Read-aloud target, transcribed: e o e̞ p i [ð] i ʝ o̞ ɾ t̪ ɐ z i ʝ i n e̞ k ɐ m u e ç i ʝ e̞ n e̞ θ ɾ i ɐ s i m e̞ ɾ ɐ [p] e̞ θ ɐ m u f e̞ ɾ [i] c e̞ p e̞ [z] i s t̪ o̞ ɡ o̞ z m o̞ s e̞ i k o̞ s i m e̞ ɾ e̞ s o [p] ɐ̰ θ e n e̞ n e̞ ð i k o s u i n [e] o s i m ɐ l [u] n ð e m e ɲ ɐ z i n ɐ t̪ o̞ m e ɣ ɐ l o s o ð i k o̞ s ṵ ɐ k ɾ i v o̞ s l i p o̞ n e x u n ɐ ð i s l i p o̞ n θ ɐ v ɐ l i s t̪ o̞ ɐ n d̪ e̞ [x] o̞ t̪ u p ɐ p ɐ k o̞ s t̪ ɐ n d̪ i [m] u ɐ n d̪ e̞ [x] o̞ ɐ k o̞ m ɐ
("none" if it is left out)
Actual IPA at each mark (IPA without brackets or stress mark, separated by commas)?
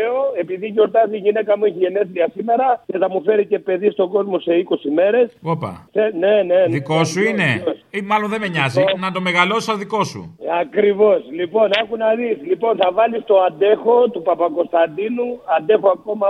ð, c, i, ð, p, e, o, x, n, x